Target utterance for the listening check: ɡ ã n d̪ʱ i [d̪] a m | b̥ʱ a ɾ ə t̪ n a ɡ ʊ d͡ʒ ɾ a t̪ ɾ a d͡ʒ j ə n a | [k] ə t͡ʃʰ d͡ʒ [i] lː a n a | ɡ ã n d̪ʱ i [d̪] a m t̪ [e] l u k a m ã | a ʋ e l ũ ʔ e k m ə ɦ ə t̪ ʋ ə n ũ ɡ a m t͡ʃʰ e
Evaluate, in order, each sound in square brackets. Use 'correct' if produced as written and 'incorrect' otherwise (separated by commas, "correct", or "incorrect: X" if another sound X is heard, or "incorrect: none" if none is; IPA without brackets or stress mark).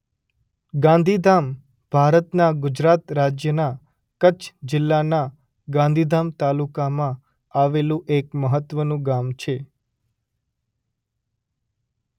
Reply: correct, correct, incorrect: ɪ, correct, incorrect: a